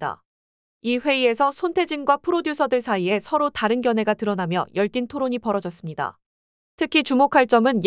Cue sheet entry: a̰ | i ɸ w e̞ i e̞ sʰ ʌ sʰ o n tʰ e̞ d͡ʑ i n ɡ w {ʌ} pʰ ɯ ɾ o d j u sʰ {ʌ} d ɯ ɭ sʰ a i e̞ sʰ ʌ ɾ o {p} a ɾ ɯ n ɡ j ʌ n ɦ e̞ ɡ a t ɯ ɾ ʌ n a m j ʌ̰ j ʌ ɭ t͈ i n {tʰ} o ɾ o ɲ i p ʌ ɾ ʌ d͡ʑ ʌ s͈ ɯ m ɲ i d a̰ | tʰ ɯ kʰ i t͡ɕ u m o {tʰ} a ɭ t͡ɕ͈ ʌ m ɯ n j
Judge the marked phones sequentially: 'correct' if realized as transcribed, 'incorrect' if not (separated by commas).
incorrect, correct, incorrect, correct, incorrect